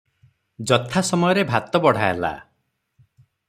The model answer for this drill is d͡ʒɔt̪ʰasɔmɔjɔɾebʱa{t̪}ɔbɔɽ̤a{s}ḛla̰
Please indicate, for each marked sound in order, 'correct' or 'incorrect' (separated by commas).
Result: correct, incorrect